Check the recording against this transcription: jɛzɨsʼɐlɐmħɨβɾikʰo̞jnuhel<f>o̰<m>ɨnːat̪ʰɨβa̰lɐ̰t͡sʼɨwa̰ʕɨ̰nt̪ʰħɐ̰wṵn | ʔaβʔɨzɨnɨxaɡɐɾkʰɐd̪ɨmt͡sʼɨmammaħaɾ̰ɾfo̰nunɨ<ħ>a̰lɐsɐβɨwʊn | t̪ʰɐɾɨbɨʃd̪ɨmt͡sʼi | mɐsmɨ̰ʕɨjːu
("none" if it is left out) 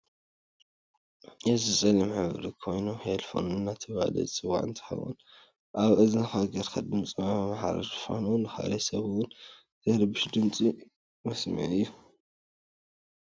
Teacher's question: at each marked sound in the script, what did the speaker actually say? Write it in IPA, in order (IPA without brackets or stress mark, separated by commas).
f, n, x